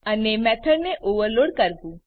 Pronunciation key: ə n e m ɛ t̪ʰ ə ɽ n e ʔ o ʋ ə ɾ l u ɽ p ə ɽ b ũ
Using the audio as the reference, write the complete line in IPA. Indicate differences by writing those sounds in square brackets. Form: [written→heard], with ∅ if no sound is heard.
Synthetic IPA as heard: ə n e m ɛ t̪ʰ ə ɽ n e ʔ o ʋ ə ɾ l [u→o] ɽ [p→k] ə [ɽ→ɾ] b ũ